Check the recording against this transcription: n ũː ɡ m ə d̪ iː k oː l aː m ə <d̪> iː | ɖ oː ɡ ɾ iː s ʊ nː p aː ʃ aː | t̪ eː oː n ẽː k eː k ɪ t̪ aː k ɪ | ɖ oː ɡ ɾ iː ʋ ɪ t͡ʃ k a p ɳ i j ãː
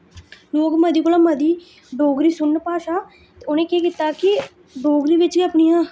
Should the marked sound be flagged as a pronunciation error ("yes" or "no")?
no